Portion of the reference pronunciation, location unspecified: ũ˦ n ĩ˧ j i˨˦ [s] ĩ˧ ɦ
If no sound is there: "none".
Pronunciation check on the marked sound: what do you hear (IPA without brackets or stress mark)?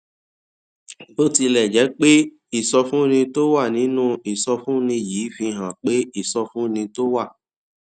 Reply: f